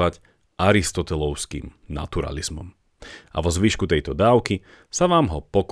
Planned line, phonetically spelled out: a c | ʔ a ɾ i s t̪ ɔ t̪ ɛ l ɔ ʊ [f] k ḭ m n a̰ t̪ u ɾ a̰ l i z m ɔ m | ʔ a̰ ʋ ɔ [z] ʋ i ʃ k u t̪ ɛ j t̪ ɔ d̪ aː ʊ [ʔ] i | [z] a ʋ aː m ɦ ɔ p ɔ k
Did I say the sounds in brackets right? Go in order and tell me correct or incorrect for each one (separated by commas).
incorrect, correct, incorrect, incorrect